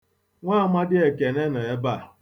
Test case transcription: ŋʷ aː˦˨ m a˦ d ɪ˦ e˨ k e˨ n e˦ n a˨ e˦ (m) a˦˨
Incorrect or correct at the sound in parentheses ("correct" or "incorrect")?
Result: incorrect